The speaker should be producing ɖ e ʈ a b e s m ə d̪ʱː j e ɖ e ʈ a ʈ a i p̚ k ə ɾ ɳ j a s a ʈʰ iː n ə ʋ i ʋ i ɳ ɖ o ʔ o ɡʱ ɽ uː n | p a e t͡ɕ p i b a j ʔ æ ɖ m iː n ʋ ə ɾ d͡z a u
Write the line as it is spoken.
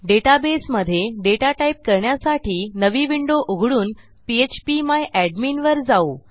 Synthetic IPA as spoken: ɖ e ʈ a b e s m ə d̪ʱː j e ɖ e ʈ a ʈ a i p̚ k ə ɾ ɳ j a s a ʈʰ iː n ə ʋ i ʋ i ɳ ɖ o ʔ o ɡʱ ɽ uː n | p i e t͡ɕ p i m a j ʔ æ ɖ m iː n ʋ ə ɾ d͡z a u

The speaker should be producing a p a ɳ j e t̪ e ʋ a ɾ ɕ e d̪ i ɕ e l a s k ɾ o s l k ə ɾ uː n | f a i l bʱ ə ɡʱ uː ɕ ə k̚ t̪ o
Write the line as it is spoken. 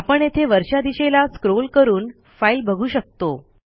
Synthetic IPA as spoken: a p ə ɳ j e t̪ʰ e ʋ ə ɾ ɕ a d̪ i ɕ e l a s k ɾ o l k ə ɾ uː n | f a i l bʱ ə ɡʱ uː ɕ ə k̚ t̪ o

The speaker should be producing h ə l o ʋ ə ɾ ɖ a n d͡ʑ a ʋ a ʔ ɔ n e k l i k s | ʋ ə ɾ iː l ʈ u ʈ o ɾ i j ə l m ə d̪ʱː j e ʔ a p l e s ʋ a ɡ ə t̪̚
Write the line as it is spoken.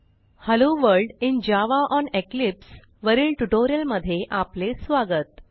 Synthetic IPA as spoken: h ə l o ʋ ə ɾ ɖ i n d͡ʑ a ʋ a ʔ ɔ n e k l i p s | ʋ ə ɾ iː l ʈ u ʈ o ɾ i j ə l m ə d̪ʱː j e ʔ a p l e s ʋ a ɡ ə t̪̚

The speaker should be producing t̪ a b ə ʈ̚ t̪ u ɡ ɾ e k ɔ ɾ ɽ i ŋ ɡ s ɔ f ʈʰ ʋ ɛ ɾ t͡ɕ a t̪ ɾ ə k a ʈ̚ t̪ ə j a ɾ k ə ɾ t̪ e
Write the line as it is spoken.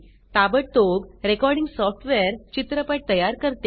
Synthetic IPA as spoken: t̪ a b ə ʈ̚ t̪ o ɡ ɾ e k ɔ ɾ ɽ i ŋ ɡ s ɔ f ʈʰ ʋ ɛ ɾ t͡ɕ i t̪ ɾ ə p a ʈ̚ t̪ ə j a ɾ k ə ɾ t̪ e

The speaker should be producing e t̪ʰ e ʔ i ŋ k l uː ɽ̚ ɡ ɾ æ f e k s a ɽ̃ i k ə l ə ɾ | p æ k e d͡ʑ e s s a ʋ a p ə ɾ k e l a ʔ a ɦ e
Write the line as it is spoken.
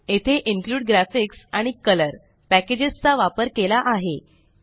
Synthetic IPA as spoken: e t̪ʰ e ʔ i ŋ k l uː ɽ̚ ɡ ɾ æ f i k s a ɽ̃ i k ə l ə ɾ | p æ k e d͡ʑ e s t͡s a ʋ a p ə ɾ k e l a ʔ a ɦ e

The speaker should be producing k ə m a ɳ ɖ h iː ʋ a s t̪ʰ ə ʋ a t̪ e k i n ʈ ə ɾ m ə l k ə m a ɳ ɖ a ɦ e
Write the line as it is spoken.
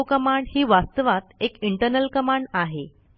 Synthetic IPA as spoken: k ə m a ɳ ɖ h iː ʋ a s t̪ ə ʋ a t̪ e k i ɳ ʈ ə ɾ n ə l k ə m a ɳ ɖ a ɦ e

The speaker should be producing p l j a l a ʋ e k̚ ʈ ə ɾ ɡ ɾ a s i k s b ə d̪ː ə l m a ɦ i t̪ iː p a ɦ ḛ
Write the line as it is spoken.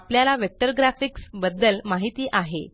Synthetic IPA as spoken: p l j a l a ʋ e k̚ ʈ ə ɾ ɡ ɾ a f i k s b ə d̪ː ə l m a ɦ i t̪ iː ʔ a ɦ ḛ

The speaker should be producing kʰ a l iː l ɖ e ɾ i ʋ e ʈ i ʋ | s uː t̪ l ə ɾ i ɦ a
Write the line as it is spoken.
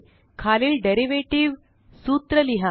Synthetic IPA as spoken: kʰ a l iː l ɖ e ɾ i ʋ e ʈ i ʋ | s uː t̪ ɾ ə l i ɦ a

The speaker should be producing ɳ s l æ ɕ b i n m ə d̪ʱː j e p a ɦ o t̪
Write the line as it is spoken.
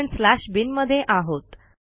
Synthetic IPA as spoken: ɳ s l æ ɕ b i n m ə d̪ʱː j e ʔ a ɦ o t̪

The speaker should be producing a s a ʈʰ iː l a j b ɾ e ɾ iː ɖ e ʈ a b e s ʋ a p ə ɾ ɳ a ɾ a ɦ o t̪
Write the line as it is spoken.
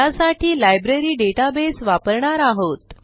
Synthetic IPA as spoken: a s a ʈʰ iː l a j b ɾ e ɾ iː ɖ e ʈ a b e s ʋ a p ə ɾ ɳ a ɾ a ɦ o t̪

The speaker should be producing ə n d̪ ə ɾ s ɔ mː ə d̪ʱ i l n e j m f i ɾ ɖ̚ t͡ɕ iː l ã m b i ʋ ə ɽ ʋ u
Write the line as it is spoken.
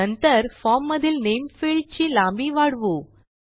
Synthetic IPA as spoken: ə n t̪ ə ɾ f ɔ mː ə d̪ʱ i l n e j m f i ɭ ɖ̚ t͡ɕ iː l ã m b i ʋ a ɽ ʋ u

